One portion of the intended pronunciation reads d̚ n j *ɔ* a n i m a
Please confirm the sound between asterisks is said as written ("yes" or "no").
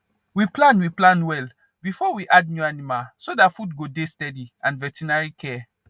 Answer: no